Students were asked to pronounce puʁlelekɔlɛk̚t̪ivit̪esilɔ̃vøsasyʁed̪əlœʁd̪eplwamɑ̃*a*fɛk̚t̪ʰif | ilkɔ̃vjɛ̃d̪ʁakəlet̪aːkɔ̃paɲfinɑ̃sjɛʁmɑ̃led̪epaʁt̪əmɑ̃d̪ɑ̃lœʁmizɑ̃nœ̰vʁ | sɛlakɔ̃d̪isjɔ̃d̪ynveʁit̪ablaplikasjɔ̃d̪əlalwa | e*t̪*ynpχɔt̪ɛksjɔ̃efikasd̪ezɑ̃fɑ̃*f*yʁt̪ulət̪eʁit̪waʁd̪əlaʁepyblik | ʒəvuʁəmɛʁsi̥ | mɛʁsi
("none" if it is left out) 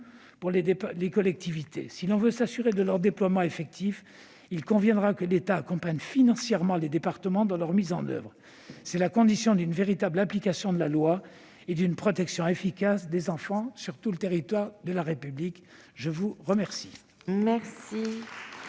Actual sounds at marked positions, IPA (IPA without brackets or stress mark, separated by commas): e, d̪, s